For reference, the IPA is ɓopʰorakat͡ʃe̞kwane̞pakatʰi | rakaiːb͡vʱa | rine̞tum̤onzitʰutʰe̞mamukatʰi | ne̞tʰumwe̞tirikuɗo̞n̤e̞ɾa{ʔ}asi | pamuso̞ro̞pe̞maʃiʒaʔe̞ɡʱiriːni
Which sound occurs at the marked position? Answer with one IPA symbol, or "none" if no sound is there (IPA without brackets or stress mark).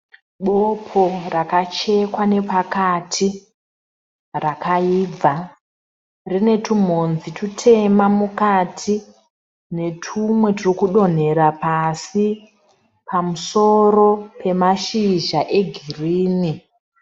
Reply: p